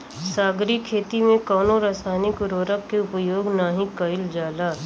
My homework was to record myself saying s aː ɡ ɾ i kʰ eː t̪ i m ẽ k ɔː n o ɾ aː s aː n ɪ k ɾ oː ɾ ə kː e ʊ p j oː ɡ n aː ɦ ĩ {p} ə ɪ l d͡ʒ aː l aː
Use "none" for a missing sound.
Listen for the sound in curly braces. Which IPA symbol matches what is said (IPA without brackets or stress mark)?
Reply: k